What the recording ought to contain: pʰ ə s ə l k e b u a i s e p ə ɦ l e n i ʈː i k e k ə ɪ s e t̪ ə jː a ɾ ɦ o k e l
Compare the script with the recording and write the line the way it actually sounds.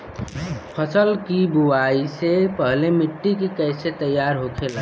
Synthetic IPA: pʰ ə s ə l k i b u a i s e p ə ɦ l e m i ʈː i k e k ə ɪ s e t̪ ə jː a ɾ ɦ o kʰ e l